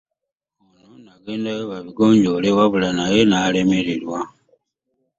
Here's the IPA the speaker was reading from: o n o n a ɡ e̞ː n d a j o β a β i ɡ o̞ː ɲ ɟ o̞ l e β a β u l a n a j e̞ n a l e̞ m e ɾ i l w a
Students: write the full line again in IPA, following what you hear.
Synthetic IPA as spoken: o n o n a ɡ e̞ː n d a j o β a β i ɡ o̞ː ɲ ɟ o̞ l e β a β u l a n a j e̞ n a l e̞ m e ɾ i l w a